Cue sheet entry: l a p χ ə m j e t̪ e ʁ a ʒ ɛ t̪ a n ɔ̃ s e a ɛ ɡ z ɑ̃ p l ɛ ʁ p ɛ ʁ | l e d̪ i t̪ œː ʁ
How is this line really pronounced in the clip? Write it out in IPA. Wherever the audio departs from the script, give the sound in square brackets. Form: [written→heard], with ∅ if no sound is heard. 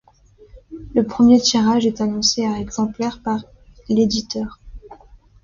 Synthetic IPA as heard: l [a→ə] p χ ə m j e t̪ [e→i] ʁ a ʒ ɛ t̪ a n ɔ̃ s e a ɛ ɡ z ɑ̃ p l ɛ ʁ p [ɛ→a] ʁ | l e d̪ i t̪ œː ʁ